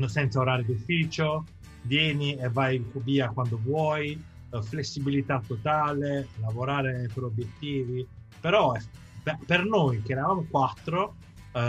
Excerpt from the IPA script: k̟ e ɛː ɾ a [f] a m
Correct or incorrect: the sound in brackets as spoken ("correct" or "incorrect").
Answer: incorrect